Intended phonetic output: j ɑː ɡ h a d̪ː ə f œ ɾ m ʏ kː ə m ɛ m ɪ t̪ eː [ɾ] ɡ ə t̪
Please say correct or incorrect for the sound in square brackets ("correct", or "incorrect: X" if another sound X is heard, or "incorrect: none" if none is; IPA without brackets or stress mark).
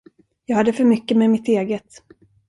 incorrect: none